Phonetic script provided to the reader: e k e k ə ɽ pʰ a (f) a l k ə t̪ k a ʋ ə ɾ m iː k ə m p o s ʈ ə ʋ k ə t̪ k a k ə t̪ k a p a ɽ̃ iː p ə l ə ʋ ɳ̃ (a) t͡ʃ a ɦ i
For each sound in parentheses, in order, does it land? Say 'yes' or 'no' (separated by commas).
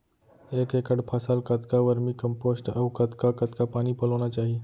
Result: no, yes